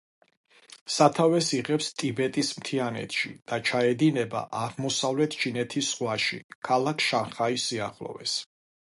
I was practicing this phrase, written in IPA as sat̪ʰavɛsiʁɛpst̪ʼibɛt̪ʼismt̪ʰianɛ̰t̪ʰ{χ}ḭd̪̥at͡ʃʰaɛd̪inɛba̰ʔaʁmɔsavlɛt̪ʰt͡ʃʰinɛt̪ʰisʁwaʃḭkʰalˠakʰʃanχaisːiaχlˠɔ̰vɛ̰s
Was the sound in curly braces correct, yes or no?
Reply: no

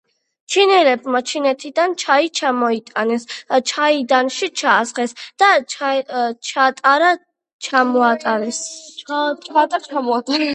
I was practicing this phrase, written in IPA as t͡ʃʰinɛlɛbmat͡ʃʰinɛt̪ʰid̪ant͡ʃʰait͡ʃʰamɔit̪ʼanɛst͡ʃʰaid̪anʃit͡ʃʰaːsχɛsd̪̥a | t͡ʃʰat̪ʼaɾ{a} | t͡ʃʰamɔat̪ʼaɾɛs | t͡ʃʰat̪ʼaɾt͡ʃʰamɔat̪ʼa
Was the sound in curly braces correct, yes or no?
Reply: yes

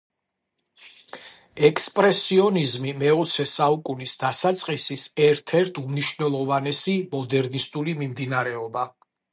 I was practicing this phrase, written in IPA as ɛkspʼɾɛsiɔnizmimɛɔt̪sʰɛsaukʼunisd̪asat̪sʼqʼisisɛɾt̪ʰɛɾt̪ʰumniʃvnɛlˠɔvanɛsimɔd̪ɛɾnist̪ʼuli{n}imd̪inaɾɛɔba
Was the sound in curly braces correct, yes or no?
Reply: no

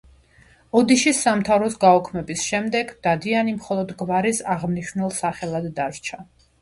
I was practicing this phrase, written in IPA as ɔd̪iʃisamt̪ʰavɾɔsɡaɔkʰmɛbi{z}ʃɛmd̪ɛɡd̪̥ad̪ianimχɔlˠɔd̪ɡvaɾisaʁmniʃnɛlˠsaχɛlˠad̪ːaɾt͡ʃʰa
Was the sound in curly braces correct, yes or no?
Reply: no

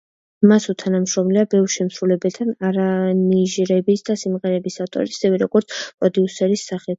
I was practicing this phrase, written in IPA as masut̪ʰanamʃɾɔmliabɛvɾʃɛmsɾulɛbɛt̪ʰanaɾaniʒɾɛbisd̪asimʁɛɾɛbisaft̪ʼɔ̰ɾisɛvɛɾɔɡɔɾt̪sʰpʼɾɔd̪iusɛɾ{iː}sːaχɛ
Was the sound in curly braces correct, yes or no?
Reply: no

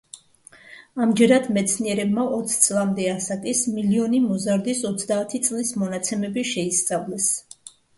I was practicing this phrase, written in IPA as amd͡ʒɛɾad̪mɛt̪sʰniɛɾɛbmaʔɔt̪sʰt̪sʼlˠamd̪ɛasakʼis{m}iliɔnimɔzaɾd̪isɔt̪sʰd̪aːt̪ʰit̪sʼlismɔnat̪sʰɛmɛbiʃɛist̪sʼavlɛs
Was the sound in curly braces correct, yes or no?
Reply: yes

